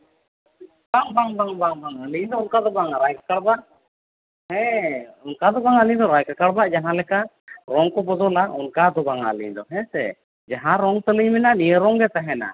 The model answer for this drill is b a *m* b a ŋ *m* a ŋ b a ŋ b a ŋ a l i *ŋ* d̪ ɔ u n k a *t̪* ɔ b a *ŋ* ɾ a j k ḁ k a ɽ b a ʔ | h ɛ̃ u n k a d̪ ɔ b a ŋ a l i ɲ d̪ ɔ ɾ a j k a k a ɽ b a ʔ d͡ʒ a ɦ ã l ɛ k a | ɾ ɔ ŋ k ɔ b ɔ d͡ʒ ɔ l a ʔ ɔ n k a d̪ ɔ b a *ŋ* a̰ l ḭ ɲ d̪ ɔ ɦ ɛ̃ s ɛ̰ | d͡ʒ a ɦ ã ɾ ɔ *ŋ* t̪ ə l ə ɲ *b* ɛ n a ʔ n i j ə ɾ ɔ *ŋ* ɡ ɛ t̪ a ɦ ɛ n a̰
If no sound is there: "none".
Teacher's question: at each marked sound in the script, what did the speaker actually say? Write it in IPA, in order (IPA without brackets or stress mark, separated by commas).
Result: ŋ, b, ɲ, d̪, ŋ, ŋ, ŋ, m, ŋ